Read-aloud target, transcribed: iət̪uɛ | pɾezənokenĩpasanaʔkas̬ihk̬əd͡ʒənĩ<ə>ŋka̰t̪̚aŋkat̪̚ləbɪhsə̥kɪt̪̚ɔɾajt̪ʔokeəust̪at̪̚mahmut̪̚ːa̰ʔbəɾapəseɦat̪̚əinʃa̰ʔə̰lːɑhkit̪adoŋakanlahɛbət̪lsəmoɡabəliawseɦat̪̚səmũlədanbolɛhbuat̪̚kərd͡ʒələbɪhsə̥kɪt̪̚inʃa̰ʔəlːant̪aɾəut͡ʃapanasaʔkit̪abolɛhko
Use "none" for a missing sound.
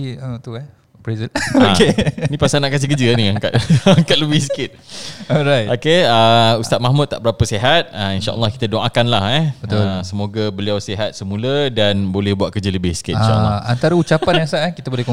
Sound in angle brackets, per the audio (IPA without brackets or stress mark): a